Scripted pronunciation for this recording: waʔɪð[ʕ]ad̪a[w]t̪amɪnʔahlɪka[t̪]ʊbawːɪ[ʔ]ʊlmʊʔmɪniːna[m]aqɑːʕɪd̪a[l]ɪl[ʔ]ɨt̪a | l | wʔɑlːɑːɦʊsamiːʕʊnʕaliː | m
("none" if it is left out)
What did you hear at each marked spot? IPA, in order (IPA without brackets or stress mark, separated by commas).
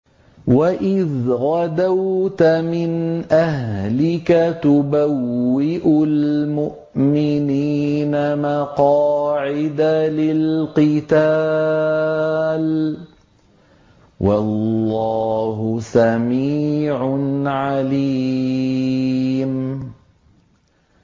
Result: ɣ, w, t̪, ʔ, m, l, q